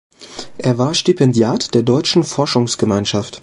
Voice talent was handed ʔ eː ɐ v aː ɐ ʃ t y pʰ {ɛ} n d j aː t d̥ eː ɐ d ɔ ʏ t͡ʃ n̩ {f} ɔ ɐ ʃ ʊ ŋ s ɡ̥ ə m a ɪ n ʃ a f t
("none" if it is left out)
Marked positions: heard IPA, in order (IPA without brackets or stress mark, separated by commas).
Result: ɛ, f